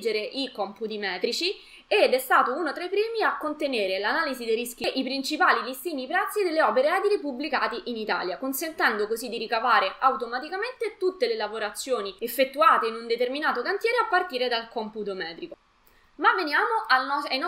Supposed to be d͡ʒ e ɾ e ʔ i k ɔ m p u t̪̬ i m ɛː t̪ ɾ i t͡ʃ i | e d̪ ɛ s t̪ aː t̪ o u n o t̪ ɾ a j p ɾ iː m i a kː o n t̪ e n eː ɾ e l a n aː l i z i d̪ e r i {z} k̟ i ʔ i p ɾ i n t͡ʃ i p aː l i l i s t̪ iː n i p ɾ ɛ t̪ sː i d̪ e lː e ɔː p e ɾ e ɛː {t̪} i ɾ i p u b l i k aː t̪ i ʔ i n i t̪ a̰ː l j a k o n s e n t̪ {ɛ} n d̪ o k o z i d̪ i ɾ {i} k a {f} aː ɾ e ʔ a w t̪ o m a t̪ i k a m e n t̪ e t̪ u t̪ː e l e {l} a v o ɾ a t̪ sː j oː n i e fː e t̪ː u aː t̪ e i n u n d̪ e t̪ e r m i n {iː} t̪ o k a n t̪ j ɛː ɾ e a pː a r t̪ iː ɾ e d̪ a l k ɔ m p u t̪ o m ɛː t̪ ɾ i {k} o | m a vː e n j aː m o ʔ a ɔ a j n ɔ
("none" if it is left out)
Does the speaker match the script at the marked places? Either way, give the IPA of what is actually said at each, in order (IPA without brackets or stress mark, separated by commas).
s, d̪, ɛ, i, v, l, aː, k